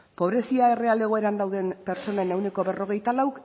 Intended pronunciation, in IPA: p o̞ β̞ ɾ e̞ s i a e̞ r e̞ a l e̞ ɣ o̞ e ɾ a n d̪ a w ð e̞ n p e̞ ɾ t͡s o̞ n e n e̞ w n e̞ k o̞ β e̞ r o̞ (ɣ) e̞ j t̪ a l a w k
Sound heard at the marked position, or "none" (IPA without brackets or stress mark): ɣ